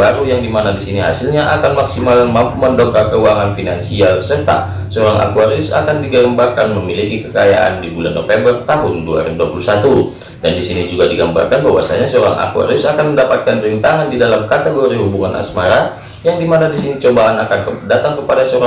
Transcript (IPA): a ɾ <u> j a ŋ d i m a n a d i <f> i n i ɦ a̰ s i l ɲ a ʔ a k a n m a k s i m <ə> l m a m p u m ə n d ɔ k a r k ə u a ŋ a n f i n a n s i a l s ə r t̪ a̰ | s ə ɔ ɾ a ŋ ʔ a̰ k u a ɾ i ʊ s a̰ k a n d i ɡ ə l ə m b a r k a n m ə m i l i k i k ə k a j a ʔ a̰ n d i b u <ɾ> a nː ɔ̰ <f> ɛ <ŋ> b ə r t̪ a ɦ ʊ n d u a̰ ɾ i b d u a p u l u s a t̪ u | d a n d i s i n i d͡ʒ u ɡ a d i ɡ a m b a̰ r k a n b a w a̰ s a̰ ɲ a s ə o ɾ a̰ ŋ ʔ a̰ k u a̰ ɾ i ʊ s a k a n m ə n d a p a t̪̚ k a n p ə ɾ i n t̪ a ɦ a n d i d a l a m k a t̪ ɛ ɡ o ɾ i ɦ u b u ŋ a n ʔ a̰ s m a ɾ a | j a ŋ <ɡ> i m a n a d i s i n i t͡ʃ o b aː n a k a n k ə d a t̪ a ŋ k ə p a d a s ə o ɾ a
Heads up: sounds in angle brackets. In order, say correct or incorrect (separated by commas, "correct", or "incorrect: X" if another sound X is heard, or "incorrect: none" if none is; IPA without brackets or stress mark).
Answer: correct, incorrect: s, incorrect: a, incorrect: l, correct, incorrect: m, incorrect: d